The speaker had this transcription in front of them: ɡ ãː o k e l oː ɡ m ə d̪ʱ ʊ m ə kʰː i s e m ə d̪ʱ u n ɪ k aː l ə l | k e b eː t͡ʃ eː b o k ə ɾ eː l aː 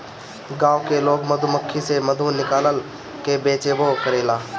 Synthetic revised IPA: ɡ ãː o k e l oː ɡ m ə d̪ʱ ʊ m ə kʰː i s e m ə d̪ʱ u n ɪ k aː l ə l | k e b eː t͡ʃ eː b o k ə ɾ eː l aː